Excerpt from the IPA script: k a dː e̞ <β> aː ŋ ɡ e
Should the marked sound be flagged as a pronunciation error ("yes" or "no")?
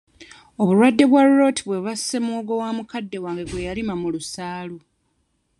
yes